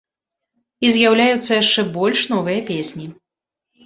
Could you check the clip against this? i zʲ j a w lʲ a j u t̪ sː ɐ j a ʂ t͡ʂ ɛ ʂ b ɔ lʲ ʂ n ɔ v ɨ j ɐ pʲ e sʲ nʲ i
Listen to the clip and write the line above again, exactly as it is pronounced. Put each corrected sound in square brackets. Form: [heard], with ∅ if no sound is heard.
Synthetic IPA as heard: i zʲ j a w lʲ a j u t̪ sː ɐ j a ʂ t͡ʂ ɛ [∅] b ɔ lʲ ʂ n ɔ v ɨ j ɐ pʲ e sʲ nʲ i

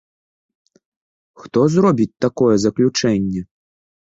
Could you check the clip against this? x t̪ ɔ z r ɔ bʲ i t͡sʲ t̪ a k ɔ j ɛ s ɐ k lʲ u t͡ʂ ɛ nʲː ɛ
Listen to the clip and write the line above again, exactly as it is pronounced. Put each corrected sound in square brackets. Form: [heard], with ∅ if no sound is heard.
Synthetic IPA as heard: x t̪ ɔ z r ɔ bʲ i t͡sʲ t̪ a k ɔ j ɛ [z] ɐ k lʲ u t͡ʂ ɛ nʲː ɛ

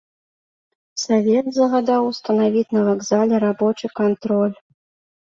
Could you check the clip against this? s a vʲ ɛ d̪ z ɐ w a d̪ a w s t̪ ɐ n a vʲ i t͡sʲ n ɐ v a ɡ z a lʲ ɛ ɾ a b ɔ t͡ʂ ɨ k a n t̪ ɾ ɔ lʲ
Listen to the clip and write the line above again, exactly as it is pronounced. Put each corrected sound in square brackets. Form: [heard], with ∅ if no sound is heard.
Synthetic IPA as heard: s a vʲ ɛ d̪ z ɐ [ɣ] a d̪ a w s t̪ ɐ n a vʲ i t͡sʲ n ɐ v a ɡ z a lʲ ɛ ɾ a b ɔ t͡ʂ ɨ k a n t̪ ɾ ɔ lʲ

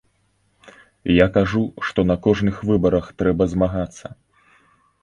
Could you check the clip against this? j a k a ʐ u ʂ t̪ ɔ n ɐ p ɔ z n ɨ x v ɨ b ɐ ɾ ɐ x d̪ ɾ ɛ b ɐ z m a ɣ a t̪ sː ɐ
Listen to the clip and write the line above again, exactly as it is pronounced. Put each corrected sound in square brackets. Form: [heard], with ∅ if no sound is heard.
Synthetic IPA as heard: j a k a ʐ u ʂ t̪ ɔ n ɐ [k] ɔ [ʐ] n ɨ x v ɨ b ɐ ɾ ɐ x [t̪] ɾ ɛ b ɐ z m a ɣ a t̪ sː ɐ

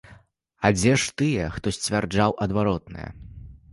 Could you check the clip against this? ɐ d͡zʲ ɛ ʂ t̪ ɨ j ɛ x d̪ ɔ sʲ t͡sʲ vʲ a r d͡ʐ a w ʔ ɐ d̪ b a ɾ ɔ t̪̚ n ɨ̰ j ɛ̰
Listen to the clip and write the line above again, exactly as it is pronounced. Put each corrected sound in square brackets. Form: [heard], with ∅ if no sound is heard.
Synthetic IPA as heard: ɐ d͡zʲ ɛ ʂ t̪ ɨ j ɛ x [t̪] ɔ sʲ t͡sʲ vʲ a r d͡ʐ a w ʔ ɐ d̪ [v] a ɾ ɔ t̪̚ n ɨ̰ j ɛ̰

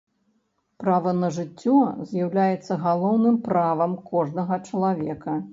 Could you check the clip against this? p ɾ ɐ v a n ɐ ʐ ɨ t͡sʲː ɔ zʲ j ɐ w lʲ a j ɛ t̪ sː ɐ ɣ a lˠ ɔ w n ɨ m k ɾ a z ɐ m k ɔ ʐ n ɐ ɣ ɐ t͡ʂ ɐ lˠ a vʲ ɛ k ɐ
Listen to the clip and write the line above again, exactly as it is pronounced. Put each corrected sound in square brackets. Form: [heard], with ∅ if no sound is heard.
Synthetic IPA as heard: p ɾ [a] v [ɐ] n ɐ ʐ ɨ t͡sʲː ɔ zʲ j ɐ w lʲ a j ɛ t̪ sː ɐ ɣ a lˠ ɔ w n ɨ m [p] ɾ a [v] ɐ m k ɔ ʐ n ɐ ɣ ɐ t͡ʂ ɐ lˠ a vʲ ɛ k ɐ

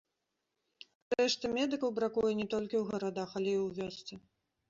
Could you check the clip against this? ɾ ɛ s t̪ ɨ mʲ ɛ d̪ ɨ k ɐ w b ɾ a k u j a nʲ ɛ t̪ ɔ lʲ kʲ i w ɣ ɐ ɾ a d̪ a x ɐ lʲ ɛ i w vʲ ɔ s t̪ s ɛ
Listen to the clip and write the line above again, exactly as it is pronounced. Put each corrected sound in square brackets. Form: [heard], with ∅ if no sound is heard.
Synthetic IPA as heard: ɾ ɛ [ʂ] t̪ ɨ mʲ ɛ d̪ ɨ k ɐ w b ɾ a k u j [ɛ] nʲ ɛ t̪ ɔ lʲ kʲ i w ɣ ɐ ɾ a d̪ a x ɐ lʲ ɛ i w vʲ ɔ s t̪ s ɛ

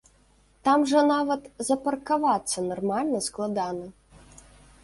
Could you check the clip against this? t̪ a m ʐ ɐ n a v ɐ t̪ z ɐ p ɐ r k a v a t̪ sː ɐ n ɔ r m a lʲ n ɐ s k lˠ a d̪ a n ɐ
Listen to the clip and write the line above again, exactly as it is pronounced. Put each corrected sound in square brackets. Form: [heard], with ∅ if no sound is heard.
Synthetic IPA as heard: t̪ a m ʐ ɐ n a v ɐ t̪ z ɐ p ɐ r k a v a t̪ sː ɐ n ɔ r m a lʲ n ɐ s k lˠ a d̪ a n ɐ

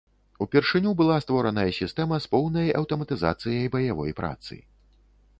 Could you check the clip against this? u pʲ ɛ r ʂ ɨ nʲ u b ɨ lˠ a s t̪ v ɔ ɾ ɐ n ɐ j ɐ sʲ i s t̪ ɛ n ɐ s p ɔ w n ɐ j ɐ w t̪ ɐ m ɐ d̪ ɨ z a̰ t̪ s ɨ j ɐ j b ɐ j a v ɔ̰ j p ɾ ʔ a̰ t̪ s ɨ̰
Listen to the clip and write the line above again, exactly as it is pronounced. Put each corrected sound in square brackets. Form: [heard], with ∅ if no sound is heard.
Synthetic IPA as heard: u pʲ ɛ r ʂ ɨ nʲ u b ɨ lˠ a s t̪ v ɔ ɾ ɐ n ɐ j ɐ sʲ i s t̪ ɛ [m] ɐ s p ɔ w n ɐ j ɐ w t̪ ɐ m ɐ [t̪] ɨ z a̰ t̪ s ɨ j ɐ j b ɐ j a v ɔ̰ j p ɾ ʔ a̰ t̪ s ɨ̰

